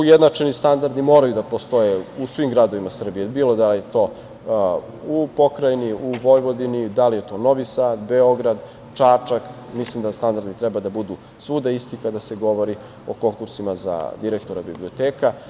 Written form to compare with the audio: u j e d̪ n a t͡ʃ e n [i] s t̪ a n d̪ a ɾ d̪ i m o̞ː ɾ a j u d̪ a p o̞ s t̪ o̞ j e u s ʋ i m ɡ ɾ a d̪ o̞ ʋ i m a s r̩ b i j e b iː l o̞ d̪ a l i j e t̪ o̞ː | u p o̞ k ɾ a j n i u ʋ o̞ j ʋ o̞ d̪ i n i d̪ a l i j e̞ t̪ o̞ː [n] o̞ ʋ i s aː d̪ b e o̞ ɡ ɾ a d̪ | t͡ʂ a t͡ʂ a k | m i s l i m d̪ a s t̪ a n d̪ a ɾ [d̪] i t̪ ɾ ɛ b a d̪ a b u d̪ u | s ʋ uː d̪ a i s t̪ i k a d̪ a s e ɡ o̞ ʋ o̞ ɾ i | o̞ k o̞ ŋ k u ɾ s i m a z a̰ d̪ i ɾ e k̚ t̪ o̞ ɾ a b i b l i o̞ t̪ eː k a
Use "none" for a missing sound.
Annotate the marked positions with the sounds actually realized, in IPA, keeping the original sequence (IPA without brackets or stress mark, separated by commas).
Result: i, n, d̪